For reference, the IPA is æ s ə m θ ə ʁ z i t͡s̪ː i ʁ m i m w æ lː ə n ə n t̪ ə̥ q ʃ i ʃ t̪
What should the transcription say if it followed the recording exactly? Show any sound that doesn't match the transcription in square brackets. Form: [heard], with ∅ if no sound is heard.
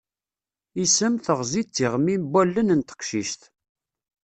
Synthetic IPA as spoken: [i] s ə m θ ə ʁ z i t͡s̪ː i ʁ m i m [b] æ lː ə n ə n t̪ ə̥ q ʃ i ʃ t̪